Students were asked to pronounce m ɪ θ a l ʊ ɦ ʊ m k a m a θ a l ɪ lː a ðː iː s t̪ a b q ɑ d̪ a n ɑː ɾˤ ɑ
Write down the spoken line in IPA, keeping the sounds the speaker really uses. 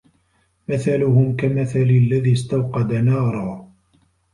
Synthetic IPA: m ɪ θ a l ʊ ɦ ʊ m k a m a θ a l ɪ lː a ð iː s t̪ a w q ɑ d̪ a n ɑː ɾˤ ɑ